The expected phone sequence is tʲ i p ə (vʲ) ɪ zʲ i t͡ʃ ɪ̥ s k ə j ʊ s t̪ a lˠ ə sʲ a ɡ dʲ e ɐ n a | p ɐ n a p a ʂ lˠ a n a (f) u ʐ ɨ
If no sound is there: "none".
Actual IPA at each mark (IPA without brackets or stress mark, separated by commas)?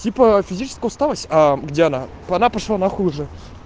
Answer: fʲ, x